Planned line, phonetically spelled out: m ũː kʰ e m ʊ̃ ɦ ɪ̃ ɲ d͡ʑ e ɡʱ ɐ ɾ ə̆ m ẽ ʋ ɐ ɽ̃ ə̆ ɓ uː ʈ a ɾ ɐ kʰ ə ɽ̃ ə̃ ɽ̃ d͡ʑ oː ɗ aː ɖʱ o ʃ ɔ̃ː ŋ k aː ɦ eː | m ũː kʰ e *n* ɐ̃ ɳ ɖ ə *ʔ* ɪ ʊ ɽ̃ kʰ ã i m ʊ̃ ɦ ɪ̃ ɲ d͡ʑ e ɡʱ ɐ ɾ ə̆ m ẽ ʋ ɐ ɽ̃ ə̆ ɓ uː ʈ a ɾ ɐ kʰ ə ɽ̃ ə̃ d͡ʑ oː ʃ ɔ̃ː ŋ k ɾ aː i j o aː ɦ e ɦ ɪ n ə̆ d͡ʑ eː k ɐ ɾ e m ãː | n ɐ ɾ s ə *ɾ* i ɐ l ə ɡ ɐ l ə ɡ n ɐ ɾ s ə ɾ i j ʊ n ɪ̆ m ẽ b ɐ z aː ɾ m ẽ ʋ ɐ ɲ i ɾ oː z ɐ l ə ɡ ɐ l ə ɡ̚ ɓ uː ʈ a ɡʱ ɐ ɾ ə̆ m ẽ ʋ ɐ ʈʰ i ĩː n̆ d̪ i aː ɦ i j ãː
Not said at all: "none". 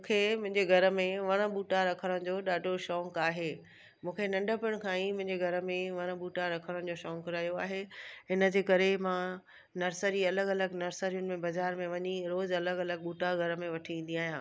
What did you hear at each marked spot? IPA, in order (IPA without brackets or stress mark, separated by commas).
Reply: n, p, ɾ